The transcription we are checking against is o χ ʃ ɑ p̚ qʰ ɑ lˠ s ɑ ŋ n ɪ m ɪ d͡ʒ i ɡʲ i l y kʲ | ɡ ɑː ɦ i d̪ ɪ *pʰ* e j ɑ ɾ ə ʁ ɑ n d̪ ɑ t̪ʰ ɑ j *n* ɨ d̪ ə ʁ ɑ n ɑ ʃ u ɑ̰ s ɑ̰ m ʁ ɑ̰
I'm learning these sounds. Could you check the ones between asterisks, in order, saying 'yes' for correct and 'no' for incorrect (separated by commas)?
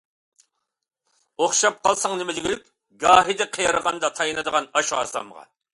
no, yes